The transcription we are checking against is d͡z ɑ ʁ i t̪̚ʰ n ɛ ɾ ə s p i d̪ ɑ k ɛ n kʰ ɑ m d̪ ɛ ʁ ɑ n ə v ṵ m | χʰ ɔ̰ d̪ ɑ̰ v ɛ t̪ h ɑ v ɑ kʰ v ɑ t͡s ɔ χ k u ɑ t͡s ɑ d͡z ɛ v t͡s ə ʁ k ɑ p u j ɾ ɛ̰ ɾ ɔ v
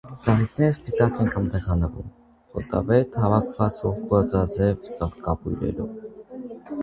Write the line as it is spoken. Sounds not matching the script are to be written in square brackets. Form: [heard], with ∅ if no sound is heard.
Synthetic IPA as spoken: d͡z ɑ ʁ i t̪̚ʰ n ɛ ɾ ə s p i [t̪] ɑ k ɛ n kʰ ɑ m d̪ ɛ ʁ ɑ n ə v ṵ m | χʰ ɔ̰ [t̪] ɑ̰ v ɛ t̪ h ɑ v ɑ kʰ v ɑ t͡s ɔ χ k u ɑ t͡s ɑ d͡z ɛ v t͡s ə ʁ k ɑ p u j ɾ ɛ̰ ɾ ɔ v